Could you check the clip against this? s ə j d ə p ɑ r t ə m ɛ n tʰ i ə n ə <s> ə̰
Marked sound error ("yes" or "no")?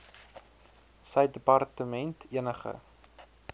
yes